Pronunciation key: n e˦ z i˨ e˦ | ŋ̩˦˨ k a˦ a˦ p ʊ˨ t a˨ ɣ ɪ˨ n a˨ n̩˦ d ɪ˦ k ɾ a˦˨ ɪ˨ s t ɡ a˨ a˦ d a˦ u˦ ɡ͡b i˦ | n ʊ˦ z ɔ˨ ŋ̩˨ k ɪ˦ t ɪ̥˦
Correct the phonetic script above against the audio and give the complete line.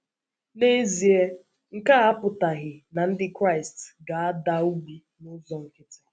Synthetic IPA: n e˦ z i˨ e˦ | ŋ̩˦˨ k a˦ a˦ p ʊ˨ t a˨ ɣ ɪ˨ n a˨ n̩˦ d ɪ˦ k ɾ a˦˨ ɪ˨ s t ɡ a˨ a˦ d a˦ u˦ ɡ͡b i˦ | n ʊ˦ z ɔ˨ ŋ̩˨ k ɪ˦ t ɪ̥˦

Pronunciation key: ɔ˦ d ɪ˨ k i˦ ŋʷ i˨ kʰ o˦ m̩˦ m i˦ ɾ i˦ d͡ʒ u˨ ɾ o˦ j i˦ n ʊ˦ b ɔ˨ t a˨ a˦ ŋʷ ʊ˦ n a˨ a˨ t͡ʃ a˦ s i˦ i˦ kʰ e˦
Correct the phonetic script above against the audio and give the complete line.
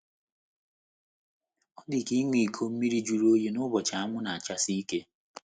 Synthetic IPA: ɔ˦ d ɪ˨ k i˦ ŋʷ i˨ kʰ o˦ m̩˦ m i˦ ɾ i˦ d͡ʒ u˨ ɾ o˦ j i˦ n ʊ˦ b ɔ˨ t͡ʃ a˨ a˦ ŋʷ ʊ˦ n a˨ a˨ t͡ʃ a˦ s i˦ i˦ k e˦

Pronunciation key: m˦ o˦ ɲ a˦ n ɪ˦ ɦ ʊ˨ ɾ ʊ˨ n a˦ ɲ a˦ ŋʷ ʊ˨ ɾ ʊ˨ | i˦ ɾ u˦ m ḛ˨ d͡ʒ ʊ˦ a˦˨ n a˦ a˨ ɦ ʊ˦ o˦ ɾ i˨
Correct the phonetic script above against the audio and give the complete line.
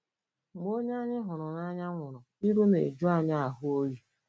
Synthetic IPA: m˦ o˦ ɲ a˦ ɲ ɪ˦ ɦ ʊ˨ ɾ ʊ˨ n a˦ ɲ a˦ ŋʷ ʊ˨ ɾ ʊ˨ | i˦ ɾ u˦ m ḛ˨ d͡ʒ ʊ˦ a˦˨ ɲ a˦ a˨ ɦ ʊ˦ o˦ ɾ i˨

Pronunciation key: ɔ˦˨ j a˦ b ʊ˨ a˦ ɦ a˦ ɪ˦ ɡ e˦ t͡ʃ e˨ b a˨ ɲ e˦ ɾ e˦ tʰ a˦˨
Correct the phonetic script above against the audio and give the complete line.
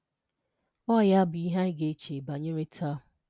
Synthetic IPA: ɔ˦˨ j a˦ b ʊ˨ i˦ ɦ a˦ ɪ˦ ɡ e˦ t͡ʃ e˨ b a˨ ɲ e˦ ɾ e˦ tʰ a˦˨

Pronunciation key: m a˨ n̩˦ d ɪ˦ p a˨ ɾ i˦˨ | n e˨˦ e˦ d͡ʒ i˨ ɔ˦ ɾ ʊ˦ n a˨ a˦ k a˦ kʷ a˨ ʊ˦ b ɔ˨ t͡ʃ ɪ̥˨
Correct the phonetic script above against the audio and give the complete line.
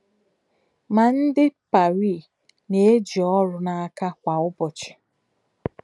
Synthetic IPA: m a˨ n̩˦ d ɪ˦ p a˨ ɾ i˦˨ | n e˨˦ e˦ d͡ʒ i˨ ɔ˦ ɾ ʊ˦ n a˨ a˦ k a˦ kʷ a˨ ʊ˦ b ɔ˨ t͡ʃ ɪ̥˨

